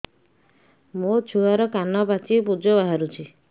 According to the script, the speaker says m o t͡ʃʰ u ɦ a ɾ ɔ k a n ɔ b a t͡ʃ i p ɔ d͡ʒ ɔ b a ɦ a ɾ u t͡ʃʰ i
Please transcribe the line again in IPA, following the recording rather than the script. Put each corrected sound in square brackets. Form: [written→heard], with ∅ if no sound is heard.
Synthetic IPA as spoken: m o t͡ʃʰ u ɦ a ɾ ɔ k a n ɔ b a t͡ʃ i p [ɔ→u] d͡ʒ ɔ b a ɦ a ɾ u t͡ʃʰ i